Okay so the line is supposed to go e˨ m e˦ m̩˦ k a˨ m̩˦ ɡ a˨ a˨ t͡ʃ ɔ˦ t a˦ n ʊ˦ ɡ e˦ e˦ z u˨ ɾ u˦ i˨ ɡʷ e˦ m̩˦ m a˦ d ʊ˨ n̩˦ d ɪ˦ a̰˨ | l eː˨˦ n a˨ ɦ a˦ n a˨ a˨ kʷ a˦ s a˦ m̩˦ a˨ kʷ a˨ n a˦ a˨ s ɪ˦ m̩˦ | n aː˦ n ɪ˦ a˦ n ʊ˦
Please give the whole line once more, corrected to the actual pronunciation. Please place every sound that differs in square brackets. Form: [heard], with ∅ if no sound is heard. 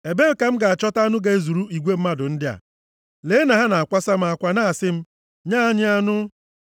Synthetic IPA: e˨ [b] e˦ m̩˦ k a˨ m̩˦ ɡ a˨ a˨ t͡ʃ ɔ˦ t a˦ n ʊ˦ ɡ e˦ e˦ z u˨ ɾ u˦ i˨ ɡʷ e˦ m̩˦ m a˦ d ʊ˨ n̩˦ d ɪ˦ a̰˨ | l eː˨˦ n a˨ ɦ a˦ n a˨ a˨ kʷ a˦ s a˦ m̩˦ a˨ kʷ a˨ n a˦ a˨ s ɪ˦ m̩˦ | [ɲ] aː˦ [ɲ] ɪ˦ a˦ n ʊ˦